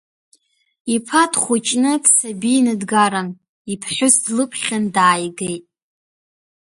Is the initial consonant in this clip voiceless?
yes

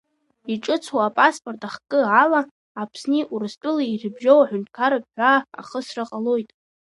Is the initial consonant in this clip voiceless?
yes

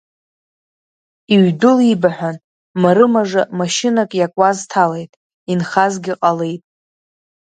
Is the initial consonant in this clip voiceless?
no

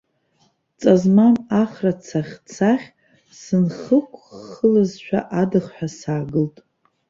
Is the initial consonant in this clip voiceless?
yes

